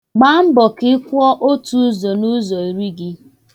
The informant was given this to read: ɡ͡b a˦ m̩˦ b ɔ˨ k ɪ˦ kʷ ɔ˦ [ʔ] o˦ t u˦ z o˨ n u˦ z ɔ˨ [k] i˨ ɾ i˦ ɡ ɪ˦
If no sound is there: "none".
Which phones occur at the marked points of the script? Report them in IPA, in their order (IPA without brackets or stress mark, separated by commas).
ʔ, none